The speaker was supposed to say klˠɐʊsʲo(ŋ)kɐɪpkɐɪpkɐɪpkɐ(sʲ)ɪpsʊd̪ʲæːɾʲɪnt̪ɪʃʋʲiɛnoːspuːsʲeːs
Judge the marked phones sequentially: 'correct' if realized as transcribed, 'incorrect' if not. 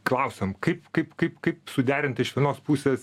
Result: incorrect, incorrect

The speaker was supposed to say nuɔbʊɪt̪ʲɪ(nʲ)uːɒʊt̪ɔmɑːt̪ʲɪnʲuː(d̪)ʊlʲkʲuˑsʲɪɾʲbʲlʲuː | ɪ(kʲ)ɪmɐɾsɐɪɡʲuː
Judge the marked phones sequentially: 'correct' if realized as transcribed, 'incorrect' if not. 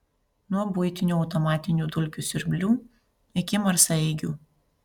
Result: correct, correct, correct

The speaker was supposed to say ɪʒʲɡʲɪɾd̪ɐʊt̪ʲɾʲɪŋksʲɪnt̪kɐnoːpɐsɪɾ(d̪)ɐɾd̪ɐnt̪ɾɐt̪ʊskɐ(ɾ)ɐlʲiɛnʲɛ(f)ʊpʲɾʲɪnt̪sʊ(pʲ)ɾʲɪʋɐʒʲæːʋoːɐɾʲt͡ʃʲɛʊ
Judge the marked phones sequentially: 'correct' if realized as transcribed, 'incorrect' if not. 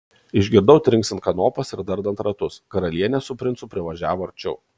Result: correct, correct, incorrect, correct

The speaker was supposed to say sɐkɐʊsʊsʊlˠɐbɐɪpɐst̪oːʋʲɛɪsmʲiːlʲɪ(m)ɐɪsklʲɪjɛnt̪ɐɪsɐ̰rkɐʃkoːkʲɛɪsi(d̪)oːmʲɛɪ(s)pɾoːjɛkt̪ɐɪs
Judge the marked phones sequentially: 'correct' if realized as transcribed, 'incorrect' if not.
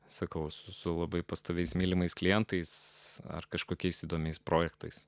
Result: correct, correct, correct

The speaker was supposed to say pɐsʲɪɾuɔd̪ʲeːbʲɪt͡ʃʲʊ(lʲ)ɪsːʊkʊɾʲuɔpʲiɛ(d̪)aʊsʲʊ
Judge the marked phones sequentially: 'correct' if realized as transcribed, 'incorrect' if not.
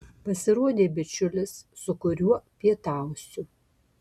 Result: correct, incorrect

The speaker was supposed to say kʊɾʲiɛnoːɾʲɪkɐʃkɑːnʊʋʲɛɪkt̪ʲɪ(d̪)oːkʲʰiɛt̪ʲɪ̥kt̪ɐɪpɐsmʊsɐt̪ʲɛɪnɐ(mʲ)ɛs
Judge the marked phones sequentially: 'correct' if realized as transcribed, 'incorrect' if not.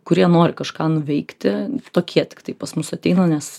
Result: incorrect, incorrect

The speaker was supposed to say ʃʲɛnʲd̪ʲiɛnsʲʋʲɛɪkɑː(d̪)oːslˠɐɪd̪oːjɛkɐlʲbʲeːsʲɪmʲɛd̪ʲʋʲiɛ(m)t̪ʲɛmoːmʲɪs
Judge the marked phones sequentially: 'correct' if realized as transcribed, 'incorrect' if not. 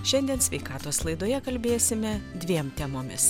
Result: incorrect, correct

